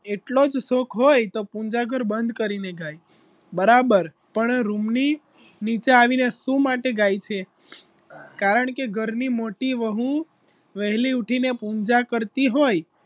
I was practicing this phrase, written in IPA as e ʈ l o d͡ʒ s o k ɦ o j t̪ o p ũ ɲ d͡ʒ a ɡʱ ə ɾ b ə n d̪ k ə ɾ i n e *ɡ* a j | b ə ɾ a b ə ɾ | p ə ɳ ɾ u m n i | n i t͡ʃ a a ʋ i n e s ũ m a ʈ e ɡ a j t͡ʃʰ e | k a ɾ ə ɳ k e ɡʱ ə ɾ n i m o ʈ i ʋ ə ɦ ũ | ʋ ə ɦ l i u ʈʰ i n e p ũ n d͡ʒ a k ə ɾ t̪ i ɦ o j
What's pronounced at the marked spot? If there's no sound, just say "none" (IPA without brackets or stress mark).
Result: ɡ